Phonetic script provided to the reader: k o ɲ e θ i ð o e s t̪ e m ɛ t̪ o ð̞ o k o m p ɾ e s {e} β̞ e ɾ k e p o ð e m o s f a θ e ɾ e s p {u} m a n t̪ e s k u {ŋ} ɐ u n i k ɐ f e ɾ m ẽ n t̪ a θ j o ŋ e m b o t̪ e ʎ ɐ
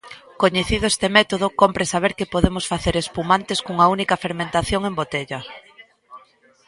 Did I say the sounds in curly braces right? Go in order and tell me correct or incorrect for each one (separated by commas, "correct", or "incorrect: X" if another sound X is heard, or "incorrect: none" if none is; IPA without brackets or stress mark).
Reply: incorrect: a, correct, correct